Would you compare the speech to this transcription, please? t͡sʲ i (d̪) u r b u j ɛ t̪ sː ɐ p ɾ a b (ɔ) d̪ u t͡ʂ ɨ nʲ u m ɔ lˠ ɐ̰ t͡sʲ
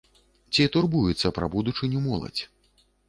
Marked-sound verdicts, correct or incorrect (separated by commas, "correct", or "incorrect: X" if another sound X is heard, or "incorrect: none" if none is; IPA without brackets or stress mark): incorrect: t̪, incorrect: u